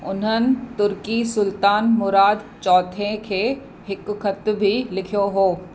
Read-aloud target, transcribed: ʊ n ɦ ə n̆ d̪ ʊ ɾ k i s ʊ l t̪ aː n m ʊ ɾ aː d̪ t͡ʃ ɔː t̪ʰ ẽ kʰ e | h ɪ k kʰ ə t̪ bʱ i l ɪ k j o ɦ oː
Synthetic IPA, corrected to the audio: ʊ n ɦ ə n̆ t̪ ʊ ɾ k i s ʊ l t̪ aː n m ʊ ɾ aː d̪ t͡ʃ ɔː t̪ʰ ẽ kʰ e | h ɪ k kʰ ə t̪ bʱ i l ɪ kʰ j o ɦ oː